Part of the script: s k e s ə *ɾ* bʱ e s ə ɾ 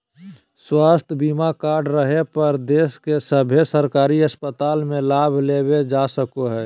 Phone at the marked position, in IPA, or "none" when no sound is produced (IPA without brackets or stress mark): none